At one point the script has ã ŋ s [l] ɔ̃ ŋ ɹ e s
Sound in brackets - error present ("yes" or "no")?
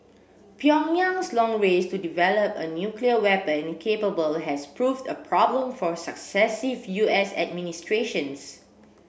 no